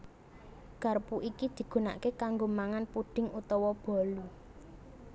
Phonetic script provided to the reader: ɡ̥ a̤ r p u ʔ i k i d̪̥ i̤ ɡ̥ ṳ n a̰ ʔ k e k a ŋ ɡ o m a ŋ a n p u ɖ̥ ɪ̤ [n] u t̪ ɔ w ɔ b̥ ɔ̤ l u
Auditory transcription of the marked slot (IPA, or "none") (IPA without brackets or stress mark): ŋ